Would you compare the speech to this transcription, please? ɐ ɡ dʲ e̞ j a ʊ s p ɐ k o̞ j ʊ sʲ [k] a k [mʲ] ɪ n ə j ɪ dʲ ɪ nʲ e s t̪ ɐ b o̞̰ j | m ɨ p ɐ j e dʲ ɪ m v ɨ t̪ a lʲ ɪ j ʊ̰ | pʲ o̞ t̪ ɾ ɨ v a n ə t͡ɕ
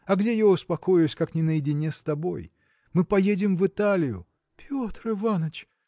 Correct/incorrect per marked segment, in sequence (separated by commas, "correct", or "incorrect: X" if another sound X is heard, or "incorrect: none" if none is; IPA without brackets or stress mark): correct, incorrect: nʲ